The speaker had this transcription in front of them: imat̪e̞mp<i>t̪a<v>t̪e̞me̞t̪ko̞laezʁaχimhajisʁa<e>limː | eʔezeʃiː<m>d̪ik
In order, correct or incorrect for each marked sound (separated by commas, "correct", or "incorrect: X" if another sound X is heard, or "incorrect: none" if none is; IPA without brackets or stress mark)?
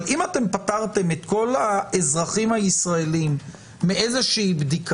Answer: incorrect: a, incorrect: ʁ, correct, incorrect: b